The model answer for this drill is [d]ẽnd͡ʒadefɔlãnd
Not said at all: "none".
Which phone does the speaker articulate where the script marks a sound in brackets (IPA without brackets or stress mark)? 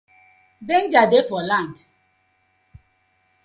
d